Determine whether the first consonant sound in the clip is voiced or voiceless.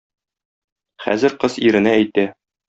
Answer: voiceless